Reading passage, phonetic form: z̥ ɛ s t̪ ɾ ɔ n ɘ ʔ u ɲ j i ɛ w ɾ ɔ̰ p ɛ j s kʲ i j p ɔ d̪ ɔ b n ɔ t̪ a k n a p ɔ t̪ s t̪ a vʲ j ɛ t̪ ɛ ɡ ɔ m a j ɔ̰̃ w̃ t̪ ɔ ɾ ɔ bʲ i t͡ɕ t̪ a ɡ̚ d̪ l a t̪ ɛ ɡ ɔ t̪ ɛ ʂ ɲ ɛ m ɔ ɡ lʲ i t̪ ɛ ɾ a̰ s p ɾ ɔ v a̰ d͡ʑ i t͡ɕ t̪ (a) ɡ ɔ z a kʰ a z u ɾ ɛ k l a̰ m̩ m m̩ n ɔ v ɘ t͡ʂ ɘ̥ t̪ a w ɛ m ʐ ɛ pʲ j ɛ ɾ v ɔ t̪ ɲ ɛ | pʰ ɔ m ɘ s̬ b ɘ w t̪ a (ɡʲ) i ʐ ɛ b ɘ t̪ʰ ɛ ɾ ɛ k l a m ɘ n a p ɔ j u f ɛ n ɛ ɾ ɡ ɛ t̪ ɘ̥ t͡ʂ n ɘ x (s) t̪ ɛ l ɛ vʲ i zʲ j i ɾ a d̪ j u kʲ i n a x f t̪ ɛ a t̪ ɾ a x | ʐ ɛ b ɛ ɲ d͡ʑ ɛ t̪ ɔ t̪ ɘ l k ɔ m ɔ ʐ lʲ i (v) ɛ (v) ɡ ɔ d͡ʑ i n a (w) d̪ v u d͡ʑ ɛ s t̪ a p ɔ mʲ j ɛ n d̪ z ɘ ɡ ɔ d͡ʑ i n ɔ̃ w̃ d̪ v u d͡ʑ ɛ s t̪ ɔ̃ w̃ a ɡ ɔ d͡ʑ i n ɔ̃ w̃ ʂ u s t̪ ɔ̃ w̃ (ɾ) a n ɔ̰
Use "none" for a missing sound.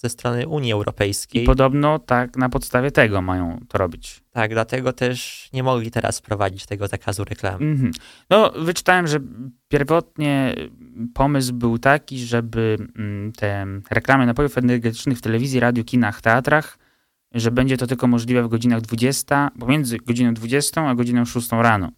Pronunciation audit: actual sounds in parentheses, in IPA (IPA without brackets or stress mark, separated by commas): ɛ, kʲ, f, v, v, ɣ, ɾ